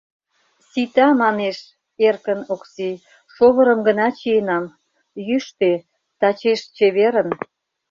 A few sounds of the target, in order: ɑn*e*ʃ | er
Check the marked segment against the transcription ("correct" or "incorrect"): correct